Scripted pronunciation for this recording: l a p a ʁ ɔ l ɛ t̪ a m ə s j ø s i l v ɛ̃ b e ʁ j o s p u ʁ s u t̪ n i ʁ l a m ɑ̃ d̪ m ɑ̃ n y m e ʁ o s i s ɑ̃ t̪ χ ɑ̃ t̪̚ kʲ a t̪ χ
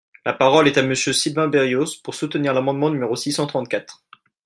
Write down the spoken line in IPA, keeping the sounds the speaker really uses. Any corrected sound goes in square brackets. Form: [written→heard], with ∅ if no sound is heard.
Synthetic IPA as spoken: l a p a ʁ ɔ l ɛ t̪ a m ə s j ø s i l v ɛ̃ b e ʁ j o s p u ʁ s u t̪ n i ʁ l a m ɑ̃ d̪ m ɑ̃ n y m e ʁ o s i s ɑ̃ t̪ χ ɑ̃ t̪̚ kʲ a t̪ χ